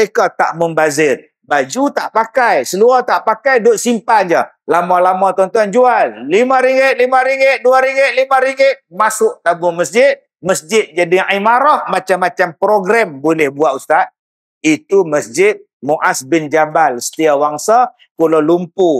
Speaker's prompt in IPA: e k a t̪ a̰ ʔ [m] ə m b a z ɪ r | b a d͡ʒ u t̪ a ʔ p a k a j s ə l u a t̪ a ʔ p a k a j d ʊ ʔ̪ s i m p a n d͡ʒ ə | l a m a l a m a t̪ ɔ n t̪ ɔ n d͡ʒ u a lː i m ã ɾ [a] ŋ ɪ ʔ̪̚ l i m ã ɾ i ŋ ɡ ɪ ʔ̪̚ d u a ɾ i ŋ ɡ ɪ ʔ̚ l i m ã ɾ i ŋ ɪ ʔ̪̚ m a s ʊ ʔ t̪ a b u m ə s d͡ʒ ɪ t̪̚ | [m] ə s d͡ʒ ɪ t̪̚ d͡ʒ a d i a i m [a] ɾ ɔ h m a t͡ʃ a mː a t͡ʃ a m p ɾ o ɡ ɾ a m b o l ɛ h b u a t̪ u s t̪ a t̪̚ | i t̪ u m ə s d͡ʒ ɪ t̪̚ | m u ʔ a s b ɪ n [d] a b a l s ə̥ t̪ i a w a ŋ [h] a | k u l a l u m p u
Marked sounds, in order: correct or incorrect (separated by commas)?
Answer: correct, incorrect, correct, correct, incorrect, incorrect